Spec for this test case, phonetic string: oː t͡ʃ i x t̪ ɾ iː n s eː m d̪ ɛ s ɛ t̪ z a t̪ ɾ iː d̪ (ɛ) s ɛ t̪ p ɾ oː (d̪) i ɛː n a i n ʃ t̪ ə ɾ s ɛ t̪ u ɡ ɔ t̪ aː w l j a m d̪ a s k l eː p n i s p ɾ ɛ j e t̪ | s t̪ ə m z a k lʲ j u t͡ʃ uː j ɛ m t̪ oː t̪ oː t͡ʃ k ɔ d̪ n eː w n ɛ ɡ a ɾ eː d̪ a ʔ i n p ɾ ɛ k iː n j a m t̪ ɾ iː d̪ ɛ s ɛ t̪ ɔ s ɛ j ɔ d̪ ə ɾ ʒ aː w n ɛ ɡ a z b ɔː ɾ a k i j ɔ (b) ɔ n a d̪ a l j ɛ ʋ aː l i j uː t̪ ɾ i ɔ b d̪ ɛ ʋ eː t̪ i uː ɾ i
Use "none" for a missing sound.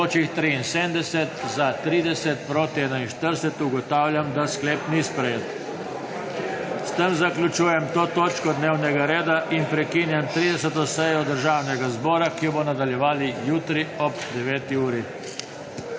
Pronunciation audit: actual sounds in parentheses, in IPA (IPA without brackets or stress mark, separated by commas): ɛ, t̪, b